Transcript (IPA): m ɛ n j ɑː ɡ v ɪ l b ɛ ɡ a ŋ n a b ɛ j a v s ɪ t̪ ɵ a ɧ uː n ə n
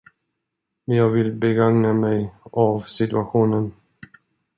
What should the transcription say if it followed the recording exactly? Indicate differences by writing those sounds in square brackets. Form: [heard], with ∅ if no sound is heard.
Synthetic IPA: m ɛ n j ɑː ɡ v ɪ l b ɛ ɡ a ŋ n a [m] ɛ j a v s ɪ t̪ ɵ a ɧ uː n ə n